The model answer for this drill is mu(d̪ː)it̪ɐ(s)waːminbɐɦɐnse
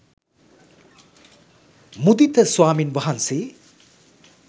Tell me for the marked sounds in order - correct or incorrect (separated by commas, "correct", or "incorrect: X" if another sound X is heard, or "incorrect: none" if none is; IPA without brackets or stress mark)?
incorrect: d̪, correct